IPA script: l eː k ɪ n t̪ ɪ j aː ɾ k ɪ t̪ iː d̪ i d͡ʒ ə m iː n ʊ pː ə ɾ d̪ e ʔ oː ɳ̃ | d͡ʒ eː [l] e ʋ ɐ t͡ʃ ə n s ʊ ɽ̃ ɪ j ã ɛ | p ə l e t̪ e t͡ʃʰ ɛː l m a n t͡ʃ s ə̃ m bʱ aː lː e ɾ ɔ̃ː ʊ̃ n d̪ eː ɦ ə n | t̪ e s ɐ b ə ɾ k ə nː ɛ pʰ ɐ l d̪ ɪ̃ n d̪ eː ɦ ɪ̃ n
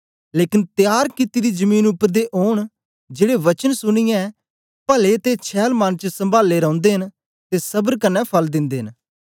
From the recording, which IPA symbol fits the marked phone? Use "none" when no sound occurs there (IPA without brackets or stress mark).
ɽ